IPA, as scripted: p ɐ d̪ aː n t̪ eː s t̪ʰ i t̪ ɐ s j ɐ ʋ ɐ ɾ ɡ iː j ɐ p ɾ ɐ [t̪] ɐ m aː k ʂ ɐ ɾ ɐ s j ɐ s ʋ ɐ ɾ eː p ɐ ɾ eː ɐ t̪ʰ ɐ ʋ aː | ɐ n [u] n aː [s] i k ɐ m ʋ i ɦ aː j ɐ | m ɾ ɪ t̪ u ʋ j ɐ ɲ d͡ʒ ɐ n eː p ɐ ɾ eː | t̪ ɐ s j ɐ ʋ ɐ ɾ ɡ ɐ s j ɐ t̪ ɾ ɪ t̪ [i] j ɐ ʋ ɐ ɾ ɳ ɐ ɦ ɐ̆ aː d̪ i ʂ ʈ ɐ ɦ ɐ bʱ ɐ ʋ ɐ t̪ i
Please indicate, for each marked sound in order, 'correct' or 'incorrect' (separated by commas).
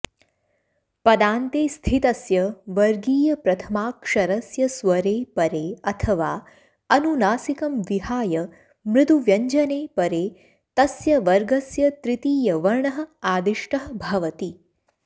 incorrect, correct, correct, incorrect